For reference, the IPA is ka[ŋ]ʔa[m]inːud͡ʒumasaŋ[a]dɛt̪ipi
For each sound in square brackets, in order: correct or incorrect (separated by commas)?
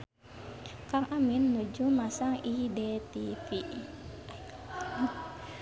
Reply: correct, correct, incorrect